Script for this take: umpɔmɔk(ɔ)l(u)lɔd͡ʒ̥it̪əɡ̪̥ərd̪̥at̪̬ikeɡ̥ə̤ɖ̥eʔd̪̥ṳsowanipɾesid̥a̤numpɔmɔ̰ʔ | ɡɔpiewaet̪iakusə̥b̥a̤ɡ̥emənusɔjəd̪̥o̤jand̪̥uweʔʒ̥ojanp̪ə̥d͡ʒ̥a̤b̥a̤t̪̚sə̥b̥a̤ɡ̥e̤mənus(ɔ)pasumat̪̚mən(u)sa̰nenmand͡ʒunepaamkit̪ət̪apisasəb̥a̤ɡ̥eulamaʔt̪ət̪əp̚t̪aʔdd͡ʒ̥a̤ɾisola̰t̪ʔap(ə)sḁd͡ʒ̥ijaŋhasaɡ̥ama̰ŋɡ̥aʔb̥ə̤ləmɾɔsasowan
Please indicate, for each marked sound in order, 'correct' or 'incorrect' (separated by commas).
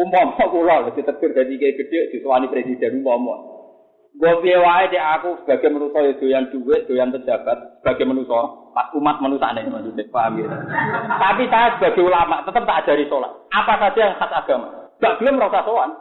incorrect, incorrect, correct, correct, incorrect